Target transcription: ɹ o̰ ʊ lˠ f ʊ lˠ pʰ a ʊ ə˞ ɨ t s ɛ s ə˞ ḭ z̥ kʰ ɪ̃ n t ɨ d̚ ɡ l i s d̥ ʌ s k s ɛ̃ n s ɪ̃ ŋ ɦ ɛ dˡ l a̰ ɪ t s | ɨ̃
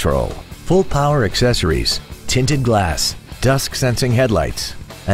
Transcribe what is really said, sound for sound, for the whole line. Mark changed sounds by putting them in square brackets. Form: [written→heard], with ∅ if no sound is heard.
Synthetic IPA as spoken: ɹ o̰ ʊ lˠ f ʊ lˠ pʰ a ʊ ə˞ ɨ [t→k] s ɛ s ə˞ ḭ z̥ [kʰ→tʰ] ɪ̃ n t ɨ d̚ ɡ l [i→æ] s d̥ ʌ s k s ɛ̃ n s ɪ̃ ŋ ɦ ɛ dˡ l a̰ ɪ t s | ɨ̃